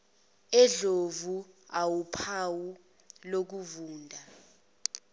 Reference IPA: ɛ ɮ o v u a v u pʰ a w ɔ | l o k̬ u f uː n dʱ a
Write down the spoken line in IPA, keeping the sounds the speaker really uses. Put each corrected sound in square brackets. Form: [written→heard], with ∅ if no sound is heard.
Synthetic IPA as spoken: ɛ ɮ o v u a [v→w] u pʰ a w [ɔ→u] | l o k̬ u [f→v] uː n dʱ a